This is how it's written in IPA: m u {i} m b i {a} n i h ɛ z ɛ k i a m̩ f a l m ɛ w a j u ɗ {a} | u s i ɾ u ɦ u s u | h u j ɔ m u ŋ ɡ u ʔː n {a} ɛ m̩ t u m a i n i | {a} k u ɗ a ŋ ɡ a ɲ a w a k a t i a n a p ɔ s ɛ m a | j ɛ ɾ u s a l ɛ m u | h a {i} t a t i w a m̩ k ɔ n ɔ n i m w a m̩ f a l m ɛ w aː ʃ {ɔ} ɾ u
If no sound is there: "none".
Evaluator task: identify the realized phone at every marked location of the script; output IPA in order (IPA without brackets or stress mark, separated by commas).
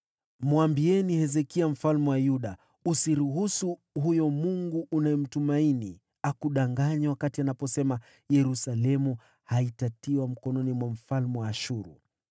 a, ɛ, a, a, a, i, u